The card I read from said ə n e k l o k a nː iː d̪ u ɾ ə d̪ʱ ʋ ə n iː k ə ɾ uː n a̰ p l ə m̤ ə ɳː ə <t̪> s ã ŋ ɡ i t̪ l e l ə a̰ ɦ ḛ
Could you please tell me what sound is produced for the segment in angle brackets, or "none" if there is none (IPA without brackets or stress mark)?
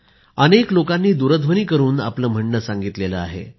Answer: none